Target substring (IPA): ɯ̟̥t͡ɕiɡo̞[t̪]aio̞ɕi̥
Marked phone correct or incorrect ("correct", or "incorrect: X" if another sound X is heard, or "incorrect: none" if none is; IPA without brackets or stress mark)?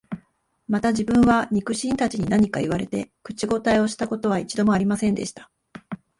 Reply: correct